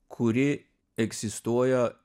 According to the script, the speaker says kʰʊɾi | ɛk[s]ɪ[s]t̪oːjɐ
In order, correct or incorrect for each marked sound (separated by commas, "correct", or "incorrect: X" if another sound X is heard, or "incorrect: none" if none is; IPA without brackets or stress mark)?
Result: correct, correct